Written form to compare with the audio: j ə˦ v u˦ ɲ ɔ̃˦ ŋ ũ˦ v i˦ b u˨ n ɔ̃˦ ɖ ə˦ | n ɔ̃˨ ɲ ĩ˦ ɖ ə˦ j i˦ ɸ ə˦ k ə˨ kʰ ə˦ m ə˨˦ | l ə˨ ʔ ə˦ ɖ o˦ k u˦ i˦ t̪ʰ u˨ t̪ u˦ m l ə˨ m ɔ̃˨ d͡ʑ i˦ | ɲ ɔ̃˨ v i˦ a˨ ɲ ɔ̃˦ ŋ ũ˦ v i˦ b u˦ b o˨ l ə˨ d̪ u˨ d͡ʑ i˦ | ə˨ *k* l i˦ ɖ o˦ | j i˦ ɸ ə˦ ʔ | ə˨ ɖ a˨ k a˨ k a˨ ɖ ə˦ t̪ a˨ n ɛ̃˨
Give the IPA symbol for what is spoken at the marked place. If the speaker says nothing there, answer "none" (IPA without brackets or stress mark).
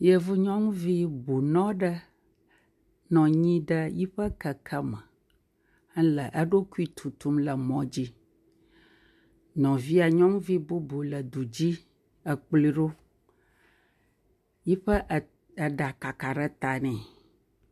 k͡p